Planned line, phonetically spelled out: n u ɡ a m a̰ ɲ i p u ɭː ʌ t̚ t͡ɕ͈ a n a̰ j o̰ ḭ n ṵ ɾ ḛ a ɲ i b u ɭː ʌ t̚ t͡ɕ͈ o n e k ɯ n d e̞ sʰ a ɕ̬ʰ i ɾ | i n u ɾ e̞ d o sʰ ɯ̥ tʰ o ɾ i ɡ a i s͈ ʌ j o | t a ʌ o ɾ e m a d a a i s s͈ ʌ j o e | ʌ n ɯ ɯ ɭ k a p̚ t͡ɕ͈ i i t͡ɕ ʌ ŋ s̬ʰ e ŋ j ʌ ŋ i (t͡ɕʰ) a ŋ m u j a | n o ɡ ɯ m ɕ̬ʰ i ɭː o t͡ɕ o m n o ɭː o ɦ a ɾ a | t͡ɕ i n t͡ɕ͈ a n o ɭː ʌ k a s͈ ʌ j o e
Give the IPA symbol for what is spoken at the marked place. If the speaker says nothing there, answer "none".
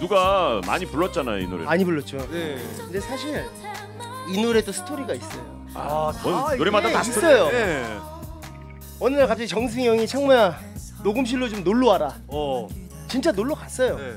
t͡ɕʰ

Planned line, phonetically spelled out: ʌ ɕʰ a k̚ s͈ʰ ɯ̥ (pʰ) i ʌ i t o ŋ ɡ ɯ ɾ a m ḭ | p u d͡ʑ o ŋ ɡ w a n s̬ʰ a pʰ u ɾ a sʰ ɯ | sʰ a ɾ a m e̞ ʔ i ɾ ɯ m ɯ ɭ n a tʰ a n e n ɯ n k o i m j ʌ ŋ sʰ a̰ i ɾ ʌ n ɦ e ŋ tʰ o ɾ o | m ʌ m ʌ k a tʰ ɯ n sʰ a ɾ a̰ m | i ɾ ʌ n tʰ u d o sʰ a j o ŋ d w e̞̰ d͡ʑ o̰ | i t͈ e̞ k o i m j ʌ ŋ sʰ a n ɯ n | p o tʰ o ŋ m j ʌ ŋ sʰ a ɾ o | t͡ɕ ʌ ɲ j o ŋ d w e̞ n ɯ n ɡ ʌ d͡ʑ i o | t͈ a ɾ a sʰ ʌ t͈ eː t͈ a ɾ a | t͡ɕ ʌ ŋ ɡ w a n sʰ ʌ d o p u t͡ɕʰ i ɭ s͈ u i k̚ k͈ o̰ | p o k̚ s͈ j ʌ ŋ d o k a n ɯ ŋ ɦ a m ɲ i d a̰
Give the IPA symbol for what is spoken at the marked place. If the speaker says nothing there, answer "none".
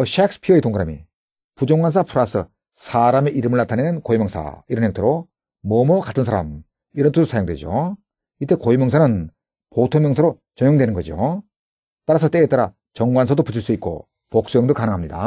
pʰ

